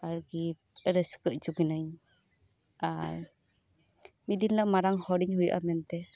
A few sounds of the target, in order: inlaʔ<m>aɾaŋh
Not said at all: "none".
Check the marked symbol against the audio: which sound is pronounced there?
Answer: m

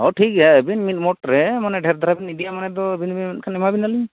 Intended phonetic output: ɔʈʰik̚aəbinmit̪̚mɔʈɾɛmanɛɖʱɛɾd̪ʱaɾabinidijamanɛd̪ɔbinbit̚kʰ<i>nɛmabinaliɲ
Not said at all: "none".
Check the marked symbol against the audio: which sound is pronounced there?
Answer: a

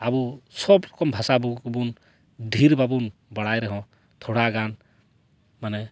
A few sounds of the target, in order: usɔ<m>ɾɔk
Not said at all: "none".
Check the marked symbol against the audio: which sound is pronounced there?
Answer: b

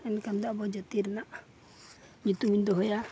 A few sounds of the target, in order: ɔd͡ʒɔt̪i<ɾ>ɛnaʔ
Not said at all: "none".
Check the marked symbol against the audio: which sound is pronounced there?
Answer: ɾ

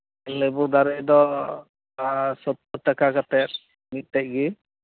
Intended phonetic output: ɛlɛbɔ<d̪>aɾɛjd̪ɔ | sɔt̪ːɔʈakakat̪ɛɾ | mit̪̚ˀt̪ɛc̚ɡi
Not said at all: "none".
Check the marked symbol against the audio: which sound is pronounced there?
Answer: d̪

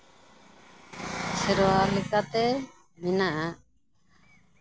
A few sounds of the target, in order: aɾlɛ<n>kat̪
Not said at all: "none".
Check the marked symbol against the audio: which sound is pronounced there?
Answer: none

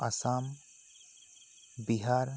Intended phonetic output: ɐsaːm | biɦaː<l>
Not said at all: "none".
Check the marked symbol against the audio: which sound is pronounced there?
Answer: ɾ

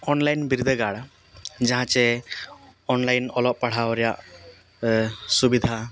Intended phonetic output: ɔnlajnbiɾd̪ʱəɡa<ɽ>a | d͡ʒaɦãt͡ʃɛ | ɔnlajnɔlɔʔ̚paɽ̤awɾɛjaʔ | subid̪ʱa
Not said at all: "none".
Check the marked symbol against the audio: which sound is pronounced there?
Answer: ɽ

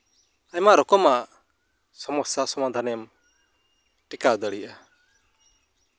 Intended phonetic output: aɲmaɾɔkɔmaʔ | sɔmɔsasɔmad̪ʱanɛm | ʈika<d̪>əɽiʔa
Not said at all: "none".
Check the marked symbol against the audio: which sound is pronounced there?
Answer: d̪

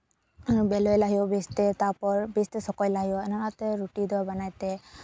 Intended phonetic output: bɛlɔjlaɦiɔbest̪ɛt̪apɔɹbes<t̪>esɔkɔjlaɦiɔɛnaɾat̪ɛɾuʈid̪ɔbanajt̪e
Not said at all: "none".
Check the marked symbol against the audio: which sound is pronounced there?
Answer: t̪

